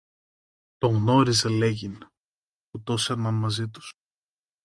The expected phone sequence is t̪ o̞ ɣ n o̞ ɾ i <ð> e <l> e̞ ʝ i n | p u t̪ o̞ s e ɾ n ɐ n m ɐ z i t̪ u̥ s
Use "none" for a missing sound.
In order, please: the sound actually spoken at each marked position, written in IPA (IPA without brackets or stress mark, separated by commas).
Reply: z, l